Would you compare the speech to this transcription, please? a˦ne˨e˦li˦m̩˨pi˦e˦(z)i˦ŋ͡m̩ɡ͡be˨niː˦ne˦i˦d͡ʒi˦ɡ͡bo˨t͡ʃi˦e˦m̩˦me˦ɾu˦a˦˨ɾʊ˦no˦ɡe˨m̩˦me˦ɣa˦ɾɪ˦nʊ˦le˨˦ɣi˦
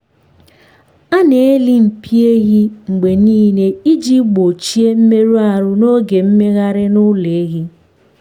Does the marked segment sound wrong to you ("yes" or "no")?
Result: yes